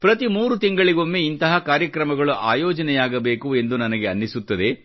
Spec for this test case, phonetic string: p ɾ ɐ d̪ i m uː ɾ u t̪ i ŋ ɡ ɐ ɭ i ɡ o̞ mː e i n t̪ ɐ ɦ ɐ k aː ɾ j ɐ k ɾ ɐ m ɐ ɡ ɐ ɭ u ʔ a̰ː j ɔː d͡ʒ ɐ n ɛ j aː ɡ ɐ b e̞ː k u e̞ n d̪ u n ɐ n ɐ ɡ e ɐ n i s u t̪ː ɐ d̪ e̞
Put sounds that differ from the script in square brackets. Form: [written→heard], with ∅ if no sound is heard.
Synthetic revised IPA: p ɾ ɐ [d̪→t̪] i m uː ɾ u t̪ i ŋ ɡ ɐ ɭ i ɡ o̞ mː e i n t̪ ɐ ɦ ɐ k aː ɾ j ɐ k ɾ ɐ m ɐ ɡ ɐ ɭ u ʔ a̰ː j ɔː d͡ʒ ɐ n ɛ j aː ɡ ɐ b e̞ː k u e̞ n d̪ u n ɐ n ɐ ɡ e ɐ [n→nː] i s u t̪ː ɐ d̪ e̞